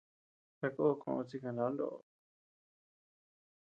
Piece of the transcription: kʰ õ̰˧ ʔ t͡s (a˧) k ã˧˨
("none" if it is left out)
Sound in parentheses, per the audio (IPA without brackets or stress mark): i˧